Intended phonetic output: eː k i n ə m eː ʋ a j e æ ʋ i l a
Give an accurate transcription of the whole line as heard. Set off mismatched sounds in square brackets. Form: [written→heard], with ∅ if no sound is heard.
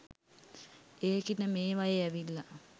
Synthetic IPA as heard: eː k i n ə m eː ʋ a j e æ ʋ i [l→lː] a